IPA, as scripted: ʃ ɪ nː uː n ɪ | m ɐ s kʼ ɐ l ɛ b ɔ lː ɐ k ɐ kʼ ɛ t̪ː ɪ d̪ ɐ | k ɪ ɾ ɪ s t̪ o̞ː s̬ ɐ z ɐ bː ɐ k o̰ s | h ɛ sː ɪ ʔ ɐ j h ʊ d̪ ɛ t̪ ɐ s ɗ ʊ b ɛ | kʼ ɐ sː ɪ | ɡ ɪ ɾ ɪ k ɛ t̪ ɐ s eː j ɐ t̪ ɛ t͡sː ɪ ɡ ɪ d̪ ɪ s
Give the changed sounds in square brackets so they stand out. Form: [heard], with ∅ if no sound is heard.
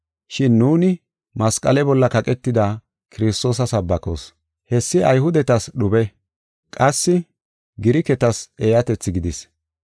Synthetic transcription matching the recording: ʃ ɪ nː uː n ɪ | m ɐ s kʼ ɐ l ɛ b ɔ lː ɐ k ɐ kʼ ɛ t̪ː ɪ d̪ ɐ | k ɪ ɾ ɪ s t̪ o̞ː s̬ ɐ [s] ɐ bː ɐ k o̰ s | h ɛ sː ɪ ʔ ɐ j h ʊ d̪ ɛ t̪ ɐ s ɗ ʊ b ɛ | kʼ ɐ sː ɪ | ɡ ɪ ɾ ɪ k ɛ t̪ ɐ s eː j ɐ t̪ ɛ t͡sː ɪ ɡ ɪ d̪ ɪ s